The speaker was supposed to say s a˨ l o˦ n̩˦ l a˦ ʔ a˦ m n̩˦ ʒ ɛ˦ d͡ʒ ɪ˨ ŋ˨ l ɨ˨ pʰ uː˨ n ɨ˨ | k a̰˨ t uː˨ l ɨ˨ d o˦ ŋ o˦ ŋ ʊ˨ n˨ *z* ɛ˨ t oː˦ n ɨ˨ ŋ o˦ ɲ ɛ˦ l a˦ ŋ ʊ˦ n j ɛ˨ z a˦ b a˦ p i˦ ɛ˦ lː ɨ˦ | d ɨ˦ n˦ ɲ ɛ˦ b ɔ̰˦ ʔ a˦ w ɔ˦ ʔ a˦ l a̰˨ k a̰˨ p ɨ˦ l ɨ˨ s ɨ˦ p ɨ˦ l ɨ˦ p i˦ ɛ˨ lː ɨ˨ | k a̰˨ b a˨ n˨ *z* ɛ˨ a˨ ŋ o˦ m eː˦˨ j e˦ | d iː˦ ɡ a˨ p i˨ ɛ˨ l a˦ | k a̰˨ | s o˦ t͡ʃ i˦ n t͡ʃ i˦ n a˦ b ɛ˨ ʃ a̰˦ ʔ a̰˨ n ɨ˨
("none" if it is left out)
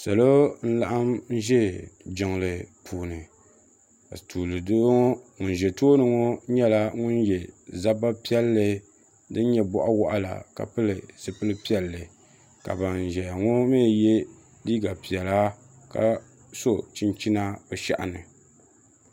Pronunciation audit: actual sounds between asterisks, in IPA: ʒ, ʒ

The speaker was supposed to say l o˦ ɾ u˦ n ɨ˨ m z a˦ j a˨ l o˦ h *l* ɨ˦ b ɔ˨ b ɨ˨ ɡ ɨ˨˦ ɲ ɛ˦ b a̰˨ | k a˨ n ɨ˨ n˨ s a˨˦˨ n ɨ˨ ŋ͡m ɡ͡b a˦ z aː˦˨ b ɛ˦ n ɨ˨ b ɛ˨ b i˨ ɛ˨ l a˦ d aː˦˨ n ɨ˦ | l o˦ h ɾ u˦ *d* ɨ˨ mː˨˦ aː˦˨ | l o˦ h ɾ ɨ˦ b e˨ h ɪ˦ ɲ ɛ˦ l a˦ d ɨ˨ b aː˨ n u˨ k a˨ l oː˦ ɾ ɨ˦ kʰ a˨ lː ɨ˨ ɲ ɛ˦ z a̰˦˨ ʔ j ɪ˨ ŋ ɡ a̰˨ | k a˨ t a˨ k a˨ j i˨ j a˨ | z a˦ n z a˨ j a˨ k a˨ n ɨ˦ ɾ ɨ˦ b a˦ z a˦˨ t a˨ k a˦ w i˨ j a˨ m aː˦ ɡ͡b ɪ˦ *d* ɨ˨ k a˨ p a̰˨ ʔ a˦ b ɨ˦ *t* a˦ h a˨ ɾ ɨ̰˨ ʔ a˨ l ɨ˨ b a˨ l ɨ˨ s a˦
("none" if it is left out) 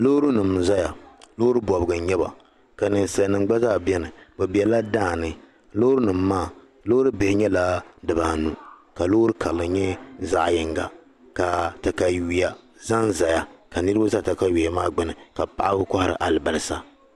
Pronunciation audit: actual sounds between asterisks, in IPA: ɾ, n, n, k

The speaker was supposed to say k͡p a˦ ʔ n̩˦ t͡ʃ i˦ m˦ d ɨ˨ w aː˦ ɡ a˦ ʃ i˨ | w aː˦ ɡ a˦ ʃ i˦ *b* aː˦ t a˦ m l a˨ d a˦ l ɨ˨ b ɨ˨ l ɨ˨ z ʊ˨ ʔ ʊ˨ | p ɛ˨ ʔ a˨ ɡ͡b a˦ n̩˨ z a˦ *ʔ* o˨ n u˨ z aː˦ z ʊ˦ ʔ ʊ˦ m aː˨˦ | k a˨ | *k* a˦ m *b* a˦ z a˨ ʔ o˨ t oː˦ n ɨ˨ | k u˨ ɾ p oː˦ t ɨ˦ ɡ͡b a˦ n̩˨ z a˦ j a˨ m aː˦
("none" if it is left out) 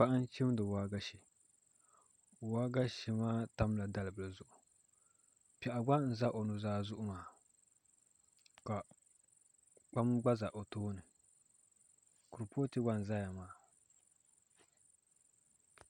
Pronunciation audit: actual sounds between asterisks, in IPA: m, ʔ, k͡p, ɡ͡b

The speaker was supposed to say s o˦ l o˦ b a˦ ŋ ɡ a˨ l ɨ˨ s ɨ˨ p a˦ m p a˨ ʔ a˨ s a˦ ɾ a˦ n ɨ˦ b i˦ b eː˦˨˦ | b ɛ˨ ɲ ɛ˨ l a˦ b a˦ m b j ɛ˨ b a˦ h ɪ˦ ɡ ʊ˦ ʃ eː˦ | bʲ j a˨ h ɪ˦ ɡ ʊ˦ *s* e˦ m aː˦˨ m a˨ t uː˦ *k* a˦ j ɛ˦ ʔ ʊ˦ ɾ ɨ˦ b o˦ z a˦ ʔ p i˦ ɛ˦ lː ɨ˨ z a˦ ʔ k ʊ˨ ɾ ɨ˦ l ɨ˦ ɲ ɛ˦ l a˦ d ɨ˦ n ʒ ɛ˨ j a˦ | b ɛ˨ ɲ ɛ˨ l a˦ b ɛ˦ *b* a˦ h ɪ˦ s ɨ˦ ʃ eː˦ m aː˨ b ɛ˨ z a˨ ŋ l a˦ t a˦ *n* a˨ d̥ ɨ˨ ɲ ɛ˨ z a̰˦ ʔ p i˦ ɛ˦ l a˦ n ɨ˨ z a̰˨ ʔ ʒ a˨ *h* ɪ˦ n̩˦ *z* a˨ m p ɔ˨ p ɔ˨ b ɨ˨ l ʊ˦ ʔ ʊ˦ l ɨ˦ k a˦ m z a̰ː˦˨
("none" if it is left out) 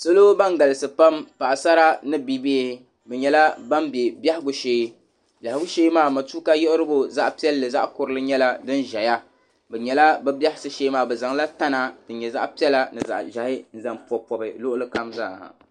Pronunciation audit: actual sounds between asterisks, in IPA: ʃ, k, b, n, h, z

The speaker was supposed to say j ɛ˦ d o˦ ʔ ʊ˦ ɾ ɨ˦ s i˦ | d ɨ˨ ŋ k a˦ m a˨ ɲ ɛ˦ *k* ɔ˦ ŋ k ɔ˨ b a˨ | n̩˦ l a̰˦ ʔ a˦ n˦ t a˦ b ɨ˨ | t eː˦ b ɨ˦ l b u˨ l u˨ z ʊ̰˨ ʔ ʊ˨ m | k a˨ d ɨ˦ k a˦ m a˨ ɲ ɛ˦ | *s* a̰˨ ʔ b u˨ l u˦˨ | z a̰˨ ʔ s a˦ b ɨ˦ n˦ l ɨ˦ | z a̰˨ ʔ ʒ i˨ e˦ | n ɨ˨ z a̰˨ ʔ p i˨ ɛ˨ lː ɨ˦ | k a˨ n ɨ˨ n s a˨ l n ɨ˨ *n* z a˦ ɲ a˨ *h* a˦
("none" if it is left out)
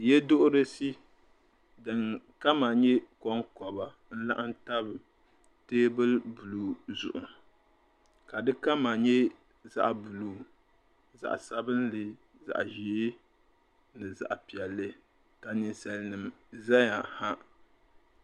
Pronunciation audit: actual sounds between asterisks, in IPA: k, z, m, h

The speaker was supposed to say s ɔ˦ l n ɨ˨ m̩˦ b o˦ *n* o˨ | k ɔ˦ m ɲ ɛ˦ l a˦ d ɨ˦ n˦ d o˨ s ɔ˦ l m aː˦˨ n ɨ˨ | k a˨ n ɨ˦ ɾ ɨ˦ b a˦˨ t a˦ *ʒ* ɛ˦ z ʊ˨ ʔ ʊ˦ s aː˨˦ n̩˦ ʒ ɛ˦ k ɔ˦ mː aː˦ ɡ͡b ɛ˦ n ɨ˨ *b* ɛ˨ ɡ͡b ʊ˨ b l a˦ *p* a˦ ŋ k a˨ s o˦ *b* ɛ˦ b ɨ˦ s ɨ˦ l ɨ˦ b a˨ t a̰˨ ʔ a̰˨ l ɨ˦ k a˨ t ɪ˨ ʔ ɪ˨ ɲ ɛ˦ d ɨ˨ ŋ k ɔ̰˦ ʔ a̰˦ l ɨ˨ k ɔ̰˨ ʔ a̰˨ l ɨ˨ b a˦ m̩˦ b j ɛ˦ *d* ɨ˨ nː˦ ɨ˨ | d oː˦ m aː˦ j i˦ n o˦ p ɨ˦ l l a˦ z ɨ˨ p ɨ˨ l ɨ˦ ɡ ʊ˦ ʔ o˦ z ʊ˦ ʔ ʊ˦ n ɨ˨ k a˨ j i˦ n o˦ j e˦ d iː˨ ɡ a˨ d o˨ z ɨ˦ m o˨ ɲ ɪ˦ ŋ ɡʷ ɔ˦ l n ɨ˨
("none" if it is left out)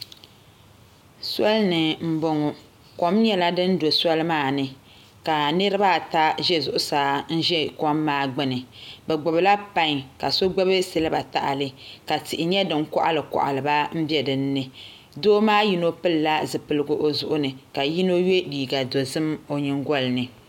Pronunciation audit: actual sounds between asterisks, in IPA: ŋ, ʒ, b, p, ɡ͡b, d

